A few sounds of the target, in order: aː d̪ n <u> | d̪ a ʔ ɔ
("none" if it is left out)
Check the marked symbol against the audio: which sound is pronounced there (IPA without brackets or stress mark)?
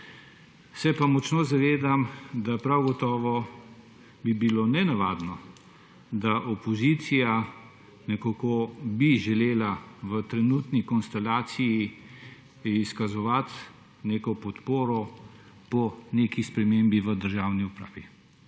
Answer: ɔ